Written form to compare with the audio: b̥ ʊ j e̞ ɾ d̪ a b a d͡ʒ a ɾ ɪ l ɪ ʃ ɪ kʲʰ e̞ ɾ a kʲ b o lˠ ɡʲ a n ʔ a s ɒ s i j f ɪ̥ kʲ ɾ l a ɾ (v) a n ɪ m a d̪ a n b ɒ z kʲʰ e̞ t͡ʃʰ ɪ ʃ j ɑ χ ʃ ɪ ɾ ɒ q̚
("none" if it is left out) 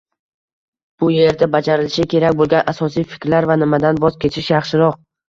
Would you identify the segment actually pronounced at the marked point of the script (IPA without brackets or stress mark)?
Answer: v